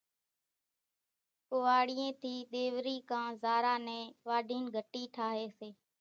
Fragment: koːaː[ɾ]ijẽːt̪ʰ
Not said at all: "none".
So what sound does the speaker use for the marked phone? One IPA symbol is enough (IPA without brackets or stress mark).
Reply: ɽ